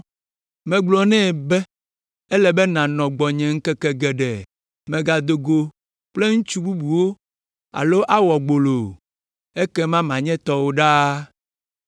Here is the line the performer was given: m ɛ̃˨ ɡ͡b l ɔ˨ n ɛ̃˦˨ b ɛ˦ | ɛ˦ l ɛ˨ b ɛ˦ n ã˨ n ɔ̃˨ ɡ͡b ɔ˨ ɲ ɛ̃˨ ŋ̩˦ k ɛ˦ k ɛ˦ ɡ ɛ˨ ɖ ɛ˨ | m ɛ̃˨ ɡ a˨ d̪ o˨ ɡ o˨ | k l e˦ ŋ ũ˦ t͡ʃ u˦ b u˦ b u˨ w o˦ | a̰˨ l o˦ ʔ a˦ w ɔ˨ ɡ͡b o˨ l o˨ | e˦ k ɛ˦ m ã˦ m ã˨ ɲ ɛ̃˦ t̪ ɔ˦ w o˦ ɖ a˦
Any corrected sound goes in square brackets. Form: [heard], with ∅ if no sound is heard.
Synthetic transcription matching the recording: m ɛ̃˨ ɡ͡b l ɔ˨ n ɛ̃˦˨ b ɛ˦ | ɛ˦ l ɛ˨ b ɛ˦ n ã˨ n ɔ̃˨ ɡ͡b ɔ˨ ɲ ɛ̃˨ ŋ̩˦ k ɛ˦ k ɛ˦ ɡ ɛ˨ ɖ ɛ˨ | m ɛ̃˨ ɡ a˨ d̪ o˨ ɡ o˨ | [k͡p] l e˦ ŋ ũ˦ t͡ʃ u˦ b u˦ b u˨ w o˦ | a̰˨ l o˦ ʔ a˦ w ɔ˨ ɡ͡b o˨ l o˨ | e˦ k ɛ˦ m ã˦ m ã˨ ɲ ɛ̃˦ t̪ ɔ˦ w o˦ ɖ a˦